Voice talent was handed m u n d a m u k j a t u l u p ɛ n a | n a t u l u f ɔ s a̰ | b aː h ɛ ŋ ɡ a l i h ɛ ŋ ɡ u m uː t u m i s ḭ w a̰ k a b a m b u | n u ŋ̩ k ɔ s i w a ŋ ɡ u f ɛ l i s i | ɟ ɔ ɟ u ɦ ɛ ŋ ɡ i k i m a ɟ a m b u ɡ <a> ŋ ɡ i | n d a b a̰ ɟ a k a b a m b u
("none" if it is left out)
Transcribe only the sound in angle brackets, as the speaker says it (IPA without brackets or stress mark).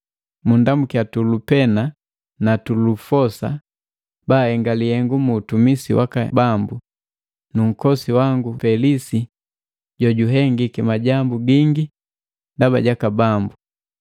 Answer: i